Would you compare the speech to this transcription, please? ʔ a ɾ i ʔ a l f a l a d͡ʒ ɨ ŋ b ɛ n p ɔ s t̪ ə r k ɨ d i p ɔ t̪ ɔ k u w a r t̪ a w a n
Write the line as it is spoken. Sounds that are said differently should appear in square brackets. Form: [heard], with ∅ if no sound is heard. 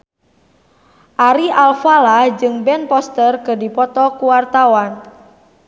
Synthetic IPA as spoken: ʔ a ɾ i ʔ a l f a l a d͡ʒ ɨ ŋ b ɛ n p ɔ s t̪ ə r k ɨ d i p ɔ t̪ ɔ k u w a r t̪ a w a n